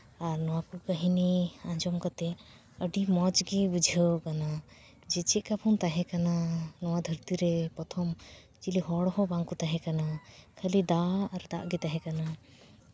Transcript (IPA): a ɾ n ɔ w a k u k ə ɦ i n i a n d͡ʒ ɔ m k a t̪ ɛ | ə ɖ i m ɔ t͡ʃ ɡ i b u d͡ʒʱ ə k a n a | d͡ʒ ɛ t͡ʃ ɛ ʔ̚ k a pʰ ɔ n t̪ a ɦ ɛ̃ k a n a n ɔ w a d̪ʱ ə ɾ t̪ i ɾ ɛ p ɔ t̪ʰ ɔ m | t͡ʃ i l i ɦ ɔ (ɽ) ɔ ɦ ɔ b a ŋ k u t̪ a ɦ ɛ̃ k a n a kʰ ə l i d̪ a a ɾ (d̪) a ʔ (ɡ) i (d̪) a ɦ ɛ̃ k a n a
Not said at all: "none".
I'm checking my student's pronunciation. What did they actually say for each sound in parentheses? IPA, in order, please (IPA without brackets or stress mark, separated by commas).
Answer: ɽ, d̪, ɡ, t̪